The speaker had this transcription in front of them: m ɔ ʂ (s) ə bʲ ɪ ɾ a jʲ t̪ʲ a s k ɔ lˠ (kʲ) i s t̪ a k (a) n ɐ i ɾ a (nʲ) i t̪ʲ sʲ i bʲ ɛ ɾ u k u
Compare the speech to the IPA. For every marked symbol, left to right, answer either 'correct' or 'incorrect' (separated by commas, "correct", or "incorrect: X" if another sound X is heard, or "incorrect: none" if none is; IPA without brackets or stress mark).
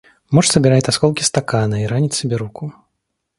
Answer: correct, correct, correct, correct